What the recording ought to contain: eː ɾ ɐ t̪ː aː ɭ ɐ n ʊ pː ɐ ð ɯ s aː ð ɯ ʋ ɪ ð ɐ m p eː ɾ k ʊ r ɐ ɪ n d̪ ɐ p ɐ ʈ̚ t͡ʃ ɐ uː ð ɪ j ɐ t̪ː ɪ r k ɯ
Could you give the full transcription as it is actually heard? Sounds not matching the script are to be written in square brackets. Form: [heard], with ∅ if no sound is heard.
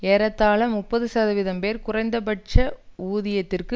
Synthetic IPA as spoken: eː ɾ ɐ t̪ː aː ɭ ɐ [m] ʊ pː ɐ ð ɯ s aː ð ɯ ʋ ɪ ð ɐ m p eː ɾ k ʊ r ɐ ɪ n d̪ ɐ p ɐ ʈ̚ t͡ʃ ɐ uː ð ɪ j ɐ t̪ː ɪ r k ɯ